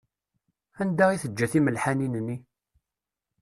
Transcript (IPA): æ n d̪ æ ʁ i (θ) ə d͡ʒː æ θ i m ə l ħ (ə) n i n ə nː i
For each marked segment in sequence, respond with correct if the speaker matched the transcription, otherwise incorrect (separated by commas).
correct, incorrect